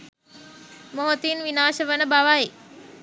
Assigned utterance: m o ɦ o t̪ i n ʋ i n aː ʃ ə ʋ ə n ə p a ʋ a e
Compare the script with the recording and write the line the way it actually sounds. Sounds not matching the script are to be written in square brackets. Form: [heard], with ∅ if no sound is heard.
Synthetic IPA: m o ɦ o t̪ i n ʋ i n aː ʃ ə ʋ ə n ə [b] a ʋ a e